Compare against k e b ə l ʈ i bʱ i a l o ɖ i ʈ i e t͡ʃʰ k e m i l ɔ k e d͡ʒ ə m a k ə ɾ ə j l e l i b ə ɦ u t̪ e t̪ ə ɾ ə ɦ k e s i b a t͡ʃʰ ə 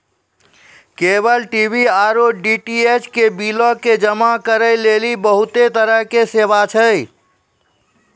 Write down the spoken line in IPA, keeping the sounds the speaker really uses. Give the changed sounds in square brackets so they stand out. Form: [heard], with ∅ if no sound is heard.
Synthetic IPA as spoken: k e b ə l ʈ i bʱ i a [ɾ] o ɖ i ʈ i e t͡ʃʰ k e [b] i l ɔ k e d͡ʒ ə m a k ə ɾ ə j l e l i b ə ɦ u t̪ e t̪ ə ɾ ə ɦ k e s [e] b a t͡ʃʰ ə